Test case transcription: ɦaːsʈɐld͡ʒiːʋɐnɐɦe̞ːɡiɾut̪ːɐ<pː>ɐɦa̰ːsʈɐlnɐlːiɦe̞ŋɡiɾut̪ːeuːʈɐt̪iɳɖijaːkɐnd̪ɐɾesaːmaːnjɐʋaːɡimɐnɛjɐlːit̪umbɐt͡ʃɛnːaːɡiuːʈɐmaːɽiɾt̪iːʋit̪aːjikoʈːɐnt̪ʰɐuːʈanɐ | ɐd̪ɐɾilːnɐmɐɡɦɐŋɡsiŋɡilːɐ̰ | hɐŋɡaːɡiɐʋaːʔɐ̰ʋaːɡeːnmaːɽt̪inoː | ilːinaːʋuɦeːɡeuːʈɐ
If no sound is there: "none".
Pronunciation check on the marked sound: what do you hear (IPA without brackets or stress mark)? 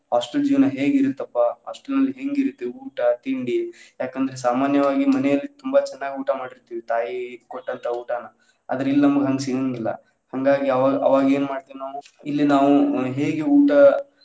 pː